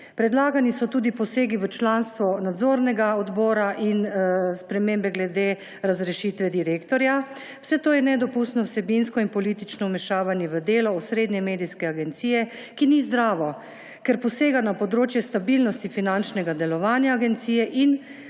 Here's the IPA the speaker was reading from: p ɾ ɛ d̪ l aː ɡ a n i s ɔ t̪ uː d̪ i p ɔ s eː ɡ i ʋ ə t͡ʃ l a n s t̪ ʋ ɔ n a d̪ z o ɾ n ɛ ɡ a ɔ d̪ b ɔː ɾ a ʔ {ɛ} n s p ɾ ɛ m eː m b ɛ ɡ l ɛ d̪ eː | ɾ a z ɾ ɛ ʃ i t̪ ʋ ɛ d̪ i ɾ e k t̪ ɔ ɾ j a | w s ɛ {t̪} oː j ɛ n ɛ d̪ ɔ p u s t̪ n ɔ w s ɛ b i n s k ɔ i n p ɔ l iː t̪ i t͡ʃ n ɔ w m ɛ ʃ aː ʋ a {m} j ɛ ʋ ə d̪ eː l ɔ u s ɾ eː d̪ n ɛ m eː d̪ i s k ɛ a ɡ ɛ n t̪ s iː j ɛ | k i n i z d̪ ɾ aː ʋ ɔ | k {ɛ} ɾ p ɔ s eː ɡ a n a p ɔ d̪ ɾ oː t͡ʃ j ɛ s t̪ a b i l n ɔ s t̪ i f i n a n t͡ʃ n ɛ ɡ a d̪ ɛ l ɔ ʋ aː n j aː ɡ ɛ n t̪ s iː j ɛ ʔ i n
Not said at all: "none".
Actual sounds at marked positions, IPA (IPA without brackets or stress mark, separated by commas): i, t̪, n, ɛ